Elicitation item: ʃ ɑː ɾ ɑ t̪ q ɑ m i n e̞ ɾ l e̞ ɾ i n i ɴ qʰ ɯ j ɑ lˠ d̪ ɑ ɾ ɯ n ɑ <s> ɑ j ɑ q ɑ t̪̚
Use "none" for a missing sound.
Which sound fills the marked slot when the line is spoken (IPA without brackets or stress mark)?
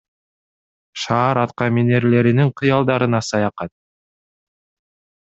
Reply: s